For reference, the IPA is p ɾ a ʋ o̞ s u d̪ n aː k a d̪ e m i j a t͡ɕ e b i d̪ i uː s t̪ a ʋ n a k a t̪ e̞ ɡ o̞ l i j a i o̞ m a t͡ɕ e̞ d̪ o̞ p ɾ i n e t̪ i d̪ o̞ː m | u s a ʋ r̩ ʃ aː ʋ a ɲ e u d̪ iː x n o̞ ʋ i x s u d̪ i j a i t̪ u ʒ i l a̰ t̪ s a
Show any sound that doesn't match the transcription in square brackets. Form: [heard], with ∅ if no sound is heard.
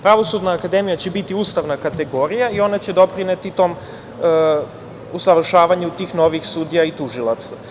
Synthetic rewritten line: p ɾ a ʋ o̞ s u d̪ n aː k a d̪ e m i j a t͡ɕ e b i [t̪] i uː s t̪ a ʋ n a k a t̪ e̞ ɡ o̞ [ɾ] i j a i o̞ [n] a t͡ɕ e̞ d̪ o̞ p ɾ i n e t̪ i [t̪] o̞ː m | u s a ʋ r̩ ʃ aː ʋ a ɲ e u [t̪] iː x n o̞ ʋ i x s u d̪ i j a i t̪ u ʒ i l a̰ t̪ s a